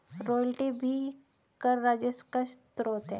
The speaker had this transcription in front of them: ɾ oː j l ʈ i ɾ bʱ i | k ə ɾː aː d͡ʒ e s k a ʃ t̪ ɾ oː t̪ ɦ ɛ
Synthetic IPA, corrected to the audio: ɾ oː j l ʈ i bʱ i | k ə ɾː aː d͡ʒ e s k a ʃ t̪ ɾ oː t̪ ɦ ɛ